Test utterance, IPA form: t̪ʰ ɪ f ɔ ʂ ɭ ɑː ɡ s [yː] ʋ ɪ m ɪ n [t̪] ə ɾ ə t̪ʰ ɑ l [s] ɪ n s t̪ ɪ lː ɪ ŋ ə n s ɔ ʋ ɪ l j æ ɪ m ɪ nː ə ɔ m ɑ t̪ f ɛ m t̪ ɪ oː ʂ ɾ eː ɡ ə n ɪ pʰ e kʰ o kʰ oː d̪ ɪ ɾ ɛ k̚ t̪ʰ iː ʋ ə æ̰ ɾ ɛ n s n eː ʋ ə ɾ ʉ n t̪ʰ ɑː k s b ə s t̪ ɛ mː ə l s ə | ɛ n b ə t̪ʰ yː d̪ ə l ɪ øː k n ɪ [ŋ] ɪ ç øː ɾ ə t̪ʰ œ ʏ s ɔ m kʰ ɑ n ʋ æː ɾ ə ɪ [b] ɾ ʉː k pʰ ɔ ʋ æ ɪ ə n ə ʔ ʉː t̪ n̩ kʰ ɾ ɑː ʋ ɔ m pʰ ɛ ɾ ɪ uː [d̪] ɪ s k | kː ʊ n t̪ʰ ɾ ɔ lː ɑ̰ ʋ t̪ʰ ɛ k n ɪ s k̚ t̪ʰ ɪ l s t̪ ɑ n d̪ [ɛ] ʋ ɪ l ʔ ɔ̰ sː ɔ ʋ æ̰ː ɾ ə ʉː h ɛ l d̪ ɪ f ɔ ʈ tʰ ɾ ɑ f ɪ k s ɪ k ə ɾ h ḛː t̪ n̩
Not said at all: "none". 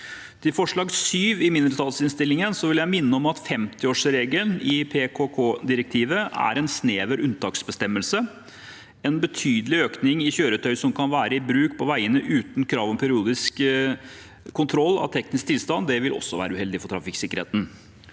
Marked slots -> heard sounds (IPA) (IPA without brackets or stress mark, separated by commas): yː, d̪, s, ŋ, b, d̪, ɛ